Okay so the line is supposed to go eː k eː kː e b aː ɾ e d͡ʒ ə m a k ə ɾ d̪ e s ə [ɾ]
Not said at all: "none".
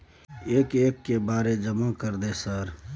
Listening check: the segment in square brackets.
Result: ɾ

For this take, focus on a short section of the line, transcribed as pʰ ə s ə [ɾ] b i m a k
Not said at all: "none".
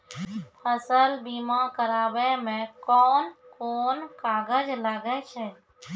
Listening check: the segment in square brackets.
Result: l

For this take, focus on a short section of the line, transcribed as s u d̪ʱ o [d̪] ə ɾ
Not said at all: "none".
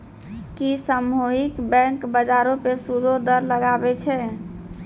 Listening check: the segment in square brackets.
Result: d̪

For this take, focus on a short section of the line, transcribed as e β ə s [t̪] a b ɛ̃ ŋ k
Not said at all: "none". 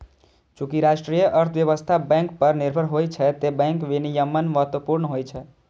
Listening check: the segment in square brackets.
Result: t̪ʰ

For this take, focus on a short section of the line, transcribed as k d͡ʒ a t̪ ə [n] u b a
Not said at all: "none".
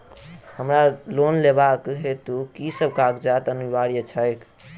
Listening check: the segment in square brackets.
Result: n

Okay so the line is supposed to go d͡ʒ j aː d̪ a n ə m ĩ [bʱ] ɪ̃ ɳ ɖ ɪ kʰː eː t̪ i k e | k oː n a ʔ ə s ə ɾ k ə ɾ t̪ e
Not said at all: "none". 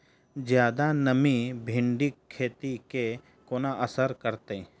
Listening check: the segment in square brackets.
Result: bʱ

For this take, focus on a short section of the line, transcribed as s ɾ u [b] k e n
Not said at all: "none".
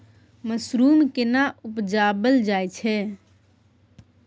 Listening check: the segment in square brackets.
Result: m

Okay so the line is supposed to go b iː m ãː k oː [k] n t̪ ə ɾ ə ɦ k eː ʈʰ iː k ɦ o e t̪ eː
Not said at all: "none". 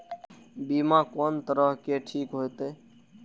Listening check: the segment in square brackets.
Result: none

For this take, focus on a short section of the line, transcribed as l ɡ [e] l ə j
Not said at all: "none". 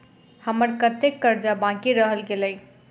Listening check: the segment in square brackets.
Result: e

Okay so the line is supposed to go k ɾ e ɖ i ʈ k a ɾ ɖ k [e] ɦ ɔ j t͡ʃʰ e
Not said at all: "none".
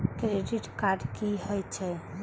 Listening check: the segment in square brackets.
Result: i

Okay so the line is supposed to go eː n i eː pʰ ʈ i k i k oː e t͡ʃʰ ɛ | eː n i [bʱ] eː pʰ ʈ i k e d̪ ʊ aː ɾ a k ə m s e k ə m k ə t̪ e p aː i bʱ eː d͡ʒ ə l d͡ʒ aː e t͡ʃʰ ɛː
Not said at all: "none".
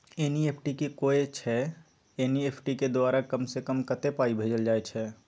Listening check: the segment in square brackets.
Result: none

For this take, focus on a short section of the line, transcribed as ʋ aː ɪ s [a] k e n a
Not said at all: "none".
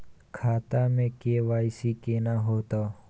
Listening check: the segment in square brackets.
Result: i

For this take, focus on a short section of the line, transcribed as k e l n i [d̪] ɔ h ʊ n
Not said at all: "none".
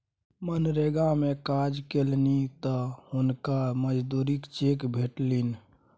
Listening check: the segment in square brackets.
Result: t̪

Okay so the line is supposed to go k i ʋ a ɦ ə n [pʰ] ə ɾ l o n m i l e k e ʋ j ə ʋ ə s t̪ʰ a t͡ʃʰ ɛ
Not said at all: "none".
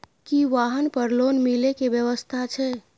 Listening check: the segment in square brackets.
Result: p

